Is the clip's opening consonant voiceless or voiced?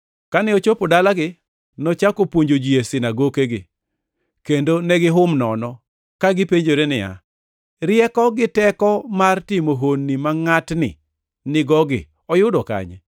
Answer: voiceless